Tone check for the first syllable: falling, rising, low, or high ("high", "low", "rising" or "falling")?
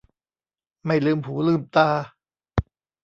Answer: falling